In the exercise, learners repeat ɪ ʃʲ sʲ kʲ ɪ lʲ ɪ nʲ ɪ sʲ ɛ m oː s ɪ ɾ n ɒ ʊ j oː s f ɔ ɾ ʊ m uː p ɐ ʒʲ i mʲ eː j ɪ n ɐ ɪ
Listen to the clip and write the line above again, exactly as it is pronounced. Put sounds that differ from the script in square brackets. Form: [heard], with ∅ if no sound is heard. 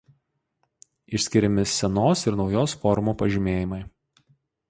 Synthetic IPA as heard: ɪ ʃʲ sʲ kʲ ɪ [ɾʲ] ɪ [mʲ] ɪ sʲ ɛ [n] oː s ɪ ɾ n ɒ ʊ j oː s f ɔ ɾ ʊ m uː p ɐ ʒʲ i mʲ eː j ɪ [m] ɐ ɪ